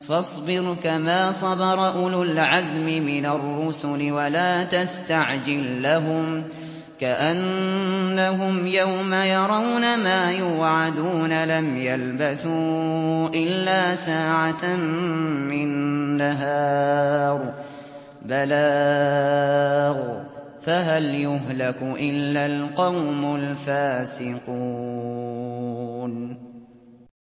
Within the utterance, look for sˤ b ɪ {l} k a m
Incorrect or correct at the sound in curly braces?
incorrect: ɾ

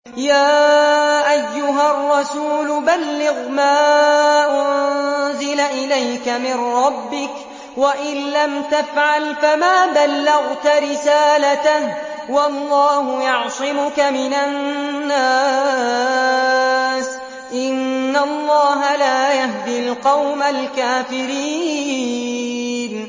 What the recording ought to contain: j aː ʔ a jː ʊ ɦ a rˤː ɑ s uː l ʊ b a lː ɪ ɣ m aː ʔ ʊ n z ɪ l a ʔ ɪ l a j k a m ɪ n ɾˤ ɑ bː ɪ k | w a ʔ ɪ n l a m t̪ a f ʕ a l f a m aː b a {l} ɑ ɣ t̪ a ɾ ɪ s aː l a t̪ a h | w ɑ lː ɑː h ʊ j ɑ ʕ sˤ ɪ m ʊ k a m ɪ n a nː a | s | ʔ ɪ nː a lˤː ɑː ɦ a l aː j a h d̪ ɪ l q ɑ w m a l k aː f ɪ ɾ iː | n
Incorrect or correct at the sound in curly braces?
incorrect: lː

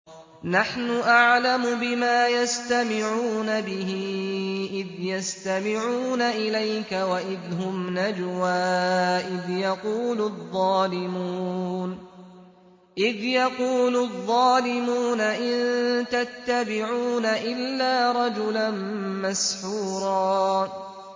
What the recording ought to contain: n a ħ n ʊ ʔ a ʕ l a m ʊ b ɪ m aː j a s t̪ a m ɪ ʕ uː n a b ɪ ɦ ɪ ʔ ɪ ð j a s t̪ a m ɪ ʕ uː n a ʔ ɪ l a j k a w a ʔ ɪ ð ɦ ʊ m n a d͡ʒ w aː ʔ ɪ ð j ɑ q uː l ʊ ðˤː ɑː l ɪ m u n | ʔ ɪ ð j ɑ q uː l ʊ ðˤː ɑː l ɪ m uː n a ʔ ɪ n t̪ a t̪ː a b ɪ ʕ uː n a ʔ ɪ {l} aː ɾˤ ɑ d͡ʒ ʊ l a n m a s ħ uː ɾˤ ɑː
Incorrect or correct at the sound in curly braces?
incorrect: lː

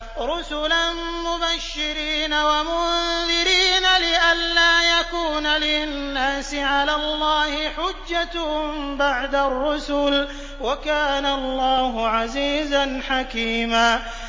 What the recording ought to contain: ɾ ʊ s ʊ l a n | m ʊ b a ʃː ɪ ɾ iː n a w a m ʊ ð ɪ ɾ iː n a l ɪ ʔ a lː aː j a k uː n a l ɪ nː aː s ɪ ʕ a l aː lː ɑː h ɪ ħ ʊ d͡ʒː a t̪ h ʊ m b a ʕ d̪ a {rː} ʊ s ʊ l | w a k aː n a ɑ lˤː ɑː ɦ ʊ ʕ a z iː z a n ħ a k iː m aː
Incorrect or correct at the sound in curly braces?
correct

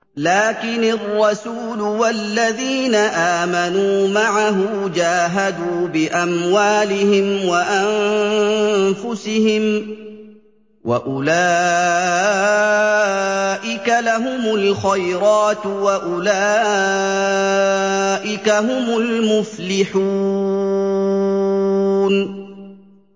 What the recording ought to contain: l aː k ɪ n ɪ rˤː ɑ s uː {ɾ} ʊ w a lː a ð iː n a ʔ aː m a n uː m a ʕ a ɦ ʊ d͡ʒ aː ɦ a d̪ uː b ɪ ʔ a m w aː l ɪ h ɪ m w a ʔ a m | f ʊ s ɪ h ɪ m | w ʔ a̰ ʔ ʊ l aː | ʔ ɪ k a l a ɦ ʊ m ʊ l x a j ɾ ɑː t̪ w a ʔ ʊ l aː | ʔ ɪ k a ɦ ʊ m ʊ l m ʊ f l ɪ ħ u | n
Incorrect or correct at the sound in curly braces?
incorrect: l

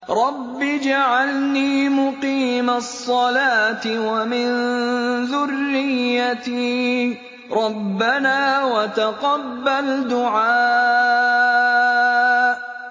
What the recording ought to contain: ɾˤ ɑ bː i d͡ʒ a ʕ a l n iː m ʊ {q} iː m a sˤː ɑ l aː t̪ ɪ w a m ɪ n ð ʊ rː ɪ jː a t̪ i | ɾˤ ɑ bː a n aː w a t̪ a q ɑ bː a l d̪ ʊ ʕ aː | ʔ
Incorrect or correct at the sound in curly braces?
correct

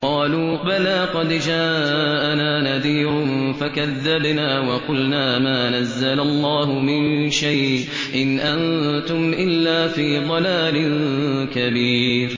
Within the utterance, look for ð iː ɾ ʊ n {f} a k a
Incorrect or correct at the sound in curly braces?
correct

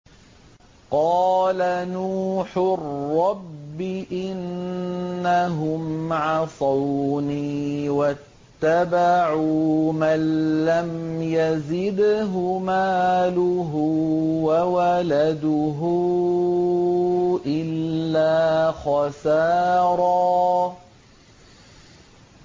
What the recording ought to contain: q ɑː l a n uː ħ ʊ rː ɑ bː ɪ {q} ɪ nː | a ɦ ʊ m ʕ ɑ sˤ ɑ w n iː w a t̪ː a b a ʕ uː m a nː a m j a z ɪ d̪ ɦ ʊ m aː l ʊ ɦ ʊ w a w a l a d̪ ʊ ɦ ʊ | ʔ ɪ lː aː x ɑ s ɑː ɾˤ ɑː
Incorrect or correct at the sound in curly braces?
incorrect: ʔ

